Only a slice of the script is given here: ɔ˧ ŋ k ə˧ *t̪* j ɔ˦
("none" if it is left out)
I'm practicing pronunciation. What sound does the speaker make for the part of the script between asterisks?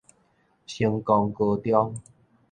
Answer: t̪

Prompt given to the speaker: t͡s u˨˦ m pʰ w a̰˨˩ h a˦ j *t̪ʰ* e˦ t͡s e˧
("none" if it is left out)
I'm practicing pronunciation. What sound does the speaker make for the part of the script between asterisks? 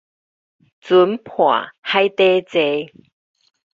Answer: t̪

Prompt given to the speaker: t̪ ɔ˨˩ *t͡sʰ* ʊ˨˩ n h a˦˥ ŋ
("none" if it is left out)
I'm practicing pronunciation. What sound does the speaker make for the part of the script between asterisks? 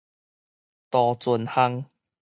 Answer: t͡s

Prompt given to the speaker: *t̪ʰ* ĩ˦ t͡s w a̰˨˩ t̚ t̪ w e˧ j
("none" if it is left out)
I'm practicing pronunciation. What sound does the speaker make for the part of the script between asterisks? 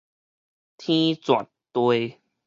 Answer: t̪ʰ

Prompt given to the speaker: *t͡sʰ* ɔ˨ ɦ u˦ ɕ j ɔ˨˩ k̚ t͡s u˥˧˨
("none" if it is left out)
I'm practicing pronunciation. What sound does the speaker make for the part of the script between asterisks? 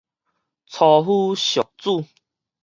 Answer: t͡sʰ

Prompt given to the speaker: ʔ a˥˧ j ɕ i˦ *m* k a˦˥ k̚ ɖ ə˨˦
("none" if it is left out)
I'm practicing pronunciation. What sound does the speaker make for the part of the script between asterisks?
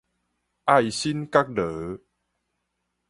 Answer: n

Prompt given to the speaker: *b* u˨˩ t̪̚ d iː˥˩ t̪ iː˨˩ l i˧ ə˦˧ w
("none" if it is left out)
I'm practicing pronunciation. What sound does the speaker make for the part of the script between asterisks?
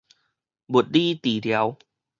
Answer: b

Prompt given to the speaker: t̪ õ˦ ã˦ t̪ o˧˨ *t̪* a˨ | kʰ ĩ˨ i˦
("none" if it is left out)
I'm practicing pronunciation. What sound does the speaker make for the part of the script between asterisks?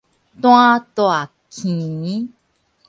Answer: none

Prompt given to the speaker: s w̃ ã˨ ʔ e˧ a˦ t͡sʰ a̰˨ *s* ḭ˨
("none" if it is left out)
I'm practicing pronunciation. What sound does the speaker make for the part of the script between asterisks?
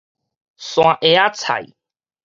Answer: none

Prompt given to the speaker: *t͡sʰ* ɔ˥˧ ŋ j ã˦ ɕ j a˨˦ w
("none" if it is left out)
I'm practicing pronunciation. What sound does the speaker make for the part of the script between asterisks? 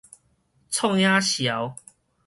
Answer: t͡sʰ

